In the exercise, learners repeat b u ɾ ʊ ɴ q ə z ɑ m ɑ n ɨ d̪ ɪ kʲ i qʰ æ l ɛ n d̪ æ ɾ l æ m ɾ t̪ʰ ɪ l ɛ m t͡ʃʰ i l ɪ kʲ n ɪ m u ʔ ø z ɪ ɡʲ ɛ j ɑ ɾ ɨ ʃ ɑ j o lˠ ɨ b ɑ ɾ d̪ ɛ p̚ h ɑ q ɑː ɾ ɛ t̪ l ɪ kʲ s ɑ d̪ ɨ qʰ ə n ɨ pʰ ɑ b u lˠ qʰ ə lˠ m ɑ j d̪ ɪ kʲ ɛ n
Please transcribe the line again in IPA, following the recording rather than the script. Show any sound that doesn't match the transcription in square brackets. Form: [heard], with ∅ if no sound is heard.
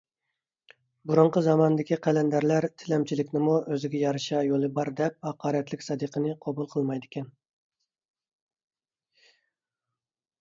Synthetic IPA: b u ɾ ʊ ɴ q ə z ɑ m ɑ n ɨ d̪ ɪ kʲ i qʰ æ l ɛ n d̪ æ ɾ l æ [∅] ɾ t̪ʰ ɪ l ɛ m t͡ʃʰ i l ɪ kʲ n ɪ m u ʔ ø z ɪ ɡʲ ɛ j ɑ ɾ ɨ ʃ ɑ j o lˠ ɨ b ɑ ɾ d̪ ɛ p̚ h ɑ q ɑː ɾ ɛ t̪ l ɪ kʲ s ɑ d̪ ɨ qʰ ə n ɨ [qʰ] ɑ b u lˠ qʰ ə lˠ m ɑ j d̪ ɪ kʲ ɛ n